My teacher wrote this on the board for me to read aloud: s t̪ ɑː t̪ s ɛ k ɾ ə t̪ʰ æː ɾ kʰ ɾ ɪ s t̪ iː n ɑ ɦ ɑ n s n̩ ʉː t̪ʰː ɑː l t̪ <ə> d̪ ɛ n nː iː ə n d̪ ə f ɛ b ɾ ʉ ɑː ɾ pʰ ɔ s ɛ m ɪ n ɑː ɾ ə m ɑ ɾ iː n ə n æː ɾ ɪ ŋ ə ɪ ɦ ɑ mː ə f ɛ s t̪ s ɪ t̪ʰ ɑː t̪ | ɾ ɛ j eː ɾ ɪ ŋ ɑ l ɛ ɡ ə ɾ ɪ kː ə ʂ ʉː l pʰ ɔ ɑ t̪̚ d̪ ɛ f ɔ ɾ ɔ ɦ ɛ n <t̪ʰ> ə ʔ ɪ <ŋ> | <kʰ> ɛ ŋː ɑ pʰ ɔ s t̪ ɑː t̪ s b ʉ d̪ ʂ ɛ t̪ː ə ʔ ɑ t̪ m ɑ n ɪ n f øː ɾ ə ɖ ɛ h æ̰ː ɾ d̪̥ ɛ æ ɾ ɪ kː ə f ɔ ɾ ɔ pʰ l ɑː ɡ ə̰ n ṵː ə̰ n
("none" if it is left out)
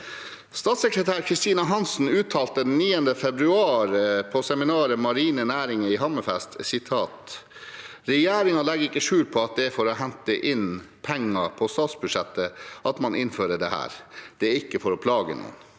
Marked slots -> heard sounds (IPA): ə, t̪, n, pʰ

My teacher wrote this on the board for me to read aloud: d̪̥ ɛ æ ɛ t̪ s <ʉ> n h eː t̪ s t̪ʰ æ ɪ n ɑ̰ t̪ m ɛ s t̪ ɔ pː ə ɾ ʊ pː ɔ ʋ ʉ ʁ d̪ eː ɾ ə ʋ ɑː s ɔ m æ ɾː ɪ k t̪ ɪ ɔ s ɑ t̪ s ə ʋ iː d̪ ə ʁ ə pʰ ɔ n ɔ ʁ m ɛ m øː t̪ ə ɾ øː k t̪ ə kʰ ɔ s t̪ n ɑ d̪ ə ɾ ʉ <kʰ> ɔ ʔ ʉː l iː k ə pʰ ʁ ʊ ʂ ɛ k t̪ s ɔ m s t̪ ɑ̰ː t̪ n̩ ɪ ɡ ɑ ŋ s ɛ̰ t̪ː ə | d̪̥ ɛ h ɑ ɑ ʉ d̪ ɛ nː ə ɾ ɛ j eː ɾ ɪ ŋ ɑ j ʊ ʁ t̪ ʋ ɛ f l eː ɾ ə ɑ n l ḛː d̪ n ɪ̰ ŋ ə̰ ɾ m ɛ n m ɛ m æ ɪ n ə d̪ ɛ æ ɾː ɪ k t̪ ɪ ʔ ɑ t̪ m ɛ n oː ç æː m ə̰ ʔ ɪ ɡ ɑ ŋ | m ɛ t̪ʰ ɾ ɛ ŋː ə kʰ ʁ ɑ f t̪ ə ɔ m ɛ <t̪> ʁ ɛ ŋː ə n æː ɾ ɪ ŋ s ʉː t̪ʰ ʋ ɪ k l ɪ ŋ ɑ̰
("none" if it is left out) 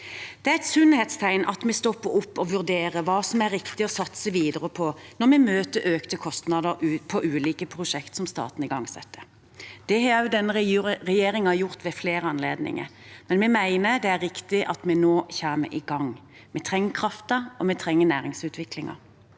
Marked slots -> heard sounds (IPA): ʉ, pʰ, t̪ʰ

